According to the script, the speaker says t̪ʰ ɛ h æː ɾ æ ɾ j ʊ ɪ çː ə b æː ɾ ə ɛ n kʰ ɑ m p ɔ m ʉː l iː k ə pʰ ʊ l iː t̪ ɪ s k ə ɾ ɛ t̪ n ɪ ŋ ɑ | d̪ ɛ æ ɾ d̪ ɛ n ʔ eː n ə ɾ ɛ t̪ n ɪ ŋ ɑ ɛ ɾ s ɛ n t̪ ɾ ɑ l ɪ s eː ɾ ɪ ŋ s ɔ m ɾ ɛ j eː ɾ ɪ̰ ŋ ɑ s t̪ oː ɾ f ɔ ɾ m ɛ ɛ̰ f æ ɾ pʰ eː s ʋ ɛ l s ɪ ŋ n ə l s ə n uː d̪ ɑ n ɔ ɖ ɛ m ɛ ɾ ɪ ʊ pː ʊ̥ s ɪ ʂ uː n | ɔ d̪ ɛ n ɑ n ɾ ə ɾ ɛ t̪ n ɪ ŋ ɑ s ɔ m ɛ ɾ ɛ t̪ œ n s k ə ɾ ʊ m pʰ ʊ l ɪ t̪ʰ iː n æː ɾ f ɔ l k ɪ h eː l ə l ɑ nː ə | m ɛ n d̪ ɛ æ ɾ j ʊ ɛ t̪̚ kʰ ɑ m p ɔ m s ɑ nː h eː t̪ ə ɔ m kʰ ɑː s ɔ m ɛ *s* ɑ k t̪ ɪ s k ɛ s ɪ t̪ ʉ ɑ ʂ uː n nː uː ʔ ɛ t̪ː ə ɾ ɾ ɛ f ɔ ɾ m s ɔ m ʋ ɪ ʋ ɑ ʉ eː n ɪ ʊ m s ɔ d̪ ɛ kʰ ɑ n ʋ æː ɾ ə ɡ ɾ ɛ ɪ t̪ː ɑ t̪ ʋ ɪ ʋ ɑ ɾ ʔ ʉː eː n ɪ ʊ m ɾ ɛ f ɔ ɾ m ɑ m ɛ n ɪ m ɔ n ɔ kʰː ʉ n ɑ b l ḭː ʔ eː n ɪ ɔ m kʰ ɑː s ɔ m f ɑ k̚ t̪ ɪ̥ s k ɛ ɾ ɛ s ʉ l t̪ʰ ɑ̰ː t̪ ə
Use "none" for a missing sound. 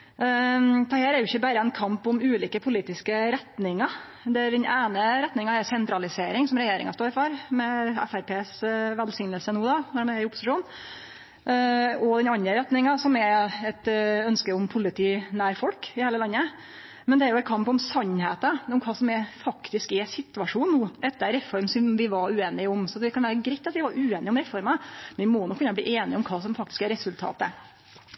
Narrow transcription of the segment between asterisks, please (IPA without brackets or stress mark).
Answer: f